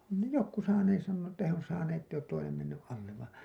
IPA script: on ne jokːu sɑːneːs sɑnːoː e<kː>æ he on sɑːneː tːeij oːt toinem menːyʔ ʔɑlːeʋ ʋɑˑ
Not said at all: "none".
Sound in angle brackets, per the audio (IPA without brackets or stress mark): tː